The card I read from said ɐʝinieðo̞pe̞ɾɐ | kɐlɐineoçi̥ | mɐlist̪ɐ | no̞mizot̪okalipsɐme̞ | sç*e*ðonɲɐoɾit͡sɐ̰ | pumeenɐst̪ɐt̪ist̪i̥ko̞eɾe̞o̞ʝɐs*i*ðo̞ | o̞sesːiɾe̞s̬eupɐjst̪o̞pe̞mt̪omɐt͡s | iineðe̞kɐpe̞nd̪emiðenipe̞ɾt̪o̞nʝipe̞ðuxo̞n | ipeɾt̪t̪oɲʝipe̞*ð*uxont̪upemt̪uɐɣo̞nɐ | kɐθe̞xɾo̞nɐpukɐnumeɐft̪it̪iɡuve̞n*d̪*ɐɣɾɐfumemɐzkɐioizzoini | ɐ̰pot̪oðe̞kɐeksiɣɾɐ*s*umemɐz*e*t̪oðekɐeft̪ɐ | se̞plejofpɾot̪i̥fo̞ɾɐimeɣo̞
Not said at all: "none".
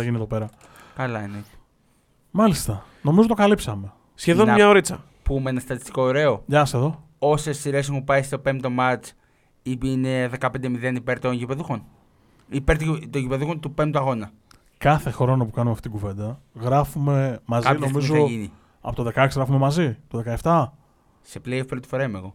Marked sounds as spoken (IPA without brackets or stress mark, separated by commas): e, e, ð, d̪, f, i